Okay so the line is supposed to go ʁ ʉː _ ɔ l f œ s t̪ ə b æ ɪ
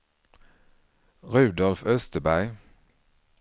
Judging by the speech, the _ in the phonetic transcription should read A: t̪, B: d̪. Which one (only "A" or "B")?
B